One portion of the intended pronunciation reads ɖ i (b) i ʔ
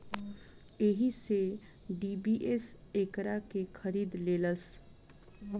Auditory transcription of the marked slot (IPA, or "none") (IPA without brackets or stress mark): b